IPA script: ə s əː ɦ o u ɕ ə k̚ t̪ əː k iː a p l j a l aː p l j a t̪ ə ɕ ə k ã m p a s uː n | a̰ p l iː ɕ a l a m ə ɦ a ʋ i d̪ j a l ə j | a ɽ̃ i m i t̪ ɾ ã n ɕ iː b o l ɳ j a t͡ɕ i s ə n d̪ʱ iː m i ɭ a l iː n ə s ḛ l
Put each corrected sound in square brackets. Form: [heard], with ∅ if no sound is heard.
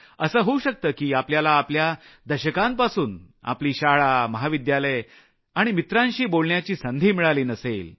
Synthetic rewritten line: ə s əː ɦ o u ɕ ə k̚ t̪ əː k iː a p l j a l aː p l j a [d̪] ə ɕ ə k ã m p a s uː n | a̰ p l iː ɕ a [ɭ] a m ə ɦ a ʋ i d̪ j a l ə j | a ɽ̃ i m i t̪ ɾ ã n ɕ iː b o l ɳ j a t͡ɕ [iː] s ə n d̪ʱ iː m i ɭ a l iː n ə s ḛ l

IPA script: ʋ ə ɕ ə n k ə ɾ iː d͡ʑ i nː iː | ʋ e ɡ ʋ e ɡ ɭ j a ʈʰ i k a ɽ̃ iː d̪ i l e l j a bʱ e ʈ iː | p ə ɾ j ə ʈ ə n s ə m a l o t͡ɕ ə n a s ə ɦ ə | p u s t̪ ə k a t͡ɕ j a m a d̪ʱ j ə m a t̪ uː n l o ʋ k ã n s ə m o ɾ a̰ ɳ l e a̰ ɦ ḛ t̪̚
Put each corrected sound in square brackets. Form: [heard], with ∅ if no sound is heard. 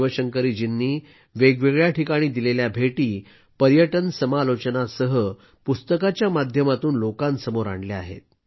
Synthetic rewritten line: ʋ ə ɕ ə [ŋ] k ə ɾ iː d͡ʑ i nː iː | ʋ e ɡ ʋ e ɡ ɭ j a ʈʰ i k a ɽ̃ iː d̪ i l e l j a bʱ e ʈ iː | p ə ɾ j ə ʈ ə n s ə m a l o t͡ɕ ə n a s ə ɦ ə | p u s t̪ ə k a t͡ɕ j a m a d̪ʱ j ə m a t̪ uː n l o [∅] k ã n s ə m o ɾ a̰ ɳ l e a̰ ɦ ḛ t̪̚

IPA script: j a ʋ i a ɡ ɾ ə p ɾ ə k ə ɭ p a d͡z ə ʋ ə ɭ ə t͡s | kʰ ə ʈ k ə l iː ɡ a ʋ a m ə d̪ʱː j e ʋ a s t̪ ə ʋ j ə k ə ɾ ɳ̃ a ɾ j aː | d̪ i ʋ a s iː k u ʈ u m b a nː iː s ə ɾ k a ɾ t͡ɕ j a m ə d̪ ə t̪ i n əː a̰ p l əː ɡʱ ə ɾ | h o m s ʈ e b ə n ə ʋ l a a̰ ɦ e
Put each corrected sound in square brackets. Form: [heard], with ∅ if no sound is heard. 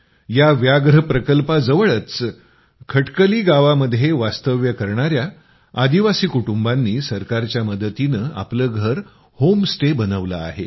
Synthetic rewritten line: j a ʋ [j] a ɡ ɾ ə p ɾ ə k ə [l] p a d͡z ə ʋ ə ɭ ə t͡s | kʰ ə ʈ k ə l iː ɡ a ʋ a m ə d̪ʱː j e ʋ a s t̪ ə ʋ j ə k ə ɾ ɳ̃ a ɾ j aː | d̪ i ʋ a s iː k u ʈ u m b a nː iː s ə ɾ k a ɾ t͡ɕ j a m ə d̪ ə t̪ i n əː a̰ p l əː ɡʱ ə ɾ | h o m s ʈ e b ə n ə ʋ l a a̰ ɦ e

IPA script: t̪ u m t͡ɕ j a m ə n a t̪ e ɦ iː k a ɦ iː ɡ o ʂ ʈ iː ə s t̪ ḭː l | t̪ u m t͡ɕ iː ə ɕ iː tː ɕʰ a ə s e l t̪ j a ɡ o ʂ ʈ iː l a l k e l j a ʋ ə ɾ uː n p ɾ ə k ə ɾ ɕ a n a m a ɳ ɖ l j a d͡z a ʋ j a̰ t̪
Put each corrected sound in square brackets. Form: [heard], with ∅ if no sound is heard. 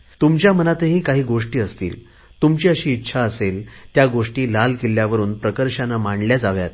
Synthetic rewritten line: t̪ u m t͡ɕ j a m ə n a t̪ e ɦ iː k a ɦ iː ɡ o ʂ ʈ iː ə s t̪ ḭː l | t̪ u m t͡ɕ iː ə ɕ iː tː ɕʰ a ə s e l t̪ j a ɡ o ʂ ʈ iː l a l k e l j a ʋ ə ɾ uː n p ɾ ə k ə ɾ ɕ a n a m a ɳ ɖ l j a d͡z a ʋ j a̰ t̪

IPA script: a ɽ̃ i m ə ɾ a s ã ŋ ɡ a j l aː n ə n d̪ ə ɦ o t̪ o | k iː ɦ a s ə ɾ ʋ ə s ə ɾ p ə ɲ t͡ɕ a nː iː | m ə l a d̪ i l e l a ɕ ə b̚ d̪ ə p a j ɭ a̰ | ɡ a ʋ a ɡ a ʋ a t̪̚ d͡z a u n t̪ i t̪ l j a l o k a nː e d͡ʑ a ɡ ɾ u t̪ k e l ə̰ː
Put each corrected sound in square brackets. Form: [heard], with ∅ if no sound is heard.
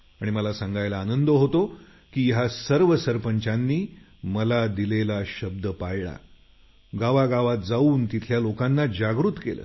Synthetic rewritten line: a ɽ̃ i m ə [l] a s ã ŋ ɡ a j l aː n ə n d̪ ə ɦ o t̪ o | k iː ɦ a s ə ɾ ʋ ə s ə ɾ p ə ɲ t͡ɕ a nː iː | m ə l a d̪ i l e l a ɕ ə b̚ d̪ ə p a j ɭ a̰ | ɡ a ʋ a ɡ a ʋ a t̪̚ d͡z a [uː] n t̪ i [t̪ʰ] l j a l o k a nː [a] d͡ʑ a ɡ ɾ u t̪ k e l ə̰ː

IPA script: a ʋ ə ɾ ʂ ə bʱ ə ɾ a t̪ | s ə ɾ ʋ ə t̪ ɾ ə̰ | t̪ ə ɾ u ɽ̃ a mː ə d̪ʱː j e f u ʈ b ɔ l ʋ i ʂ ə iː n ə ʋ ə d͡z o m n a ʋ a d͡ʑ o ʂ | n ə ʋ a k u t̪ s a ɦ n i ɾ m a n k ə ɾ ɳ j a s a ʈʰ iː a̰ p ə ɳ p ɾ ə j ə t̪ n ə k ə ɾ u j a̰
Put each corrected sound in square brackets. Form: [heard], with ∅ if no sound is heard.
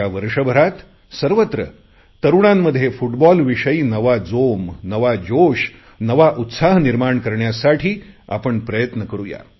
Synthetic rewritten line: a ʋ ə ɾ ʂ ə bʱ ə ɾ a t̪ | s ə ɾ ʋ ə t̪ ɾ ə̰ | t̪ ə ɾ u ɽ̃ a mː ə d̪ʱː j e f u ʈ b ɔ l ʋ i ʂ ə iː n ə ʋ [a] d͡z o m n [ə] ʋ a d͡ʑ o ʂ | n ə ʋ a [ʔ] u t̪ s a ɦ n i ɾ m a [ɳ] k ə ɾ ɳ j a s a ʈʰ iː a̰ p ə ɳ p ɾ ə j ə t̪ n ə k ə ɾ u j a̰

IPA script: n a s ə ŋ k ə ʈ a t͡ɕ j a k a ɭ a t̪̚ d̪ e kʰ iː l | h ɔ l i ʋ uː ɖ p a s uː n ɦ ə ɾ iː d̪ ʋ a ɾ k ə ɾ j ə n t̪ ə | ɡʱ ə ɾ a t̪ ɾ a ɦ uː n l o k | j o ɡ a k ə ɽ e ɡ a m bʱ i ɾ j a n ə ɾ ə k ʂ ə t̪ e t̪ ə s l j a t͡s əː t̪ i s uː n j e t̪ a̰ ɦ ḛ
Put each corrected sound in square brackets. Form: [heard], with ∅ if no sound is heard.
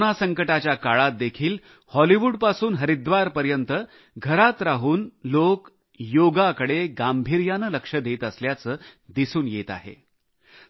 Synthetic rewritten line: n a s ə ŋ k ə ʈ a t͡ɕ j a k a ɭ a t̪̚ d̪ e kʰ iː l | h ɔ l i ʋ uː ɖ p a s uː n ɦ ə ɾ [i] d̪ ʋ a ɾ [p] ə ɾ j ə n t̪ ə | ɡʱ ə ɾ a t̪ ɾ a ɦ uː n l o k | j o ɡ a k ə ɽ e ɡ a m bʱ i ɾ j a n ə [l] ə k ʂ ə [d̪] e t̪ ə s l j a t͡s əː [d̪] i s uː n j e t̪ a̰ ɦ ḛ

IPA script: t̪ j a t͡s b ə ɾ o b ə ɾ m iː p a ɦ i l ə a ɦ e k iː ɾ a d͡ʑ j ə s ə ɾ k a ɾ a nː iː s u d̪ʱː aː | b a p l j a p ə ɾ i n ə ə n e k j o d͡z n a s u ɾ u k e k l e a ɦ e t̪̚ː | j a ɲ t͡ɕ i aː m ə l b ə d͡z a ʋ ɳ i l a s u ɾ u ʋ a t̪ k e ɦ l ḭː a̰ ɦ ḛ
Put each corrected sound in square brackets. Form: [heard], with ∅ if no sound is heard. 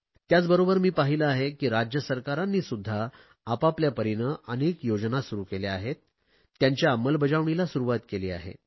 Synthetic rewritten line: t̪ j a t͡s b ə ɾ o b ə ɾ m iː p a ɦ i l ə a ɦ e k iː ɾ a d͡ʑ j ə s ə ɾ k a ɾ a nː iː s u d̪ʱː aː | [p] a p l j a p ə ɾ i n ə ə n e k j o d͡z n a s u ɾ u k e [∅] l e a ɦ e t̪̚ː | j a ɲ t͡ɕ [j] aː m ə l b ə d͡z a ʋ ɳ i l a s u ɾ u ʋ a t̪ k e [∅] l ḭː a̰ ɦ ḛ

